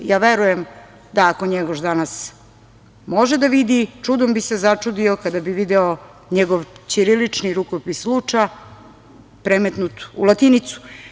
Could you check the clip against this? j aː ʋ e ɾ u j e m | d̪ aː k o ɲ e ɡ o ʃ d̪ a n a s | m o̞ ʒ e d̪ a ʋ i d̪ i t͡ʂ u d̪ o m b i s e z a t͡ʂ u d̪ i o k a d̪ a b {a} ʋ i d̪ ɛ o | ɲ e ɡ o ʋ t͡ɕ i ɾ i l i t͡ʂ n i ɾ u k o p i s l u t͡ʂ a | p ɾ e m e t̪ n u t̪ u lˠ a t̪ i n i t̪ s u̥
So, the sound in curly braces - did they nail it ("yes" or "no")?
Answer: no